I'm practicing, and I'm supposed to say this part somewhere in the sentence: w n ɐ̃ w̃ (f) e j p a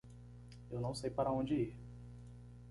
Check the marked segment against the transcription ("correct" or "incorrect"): incorrect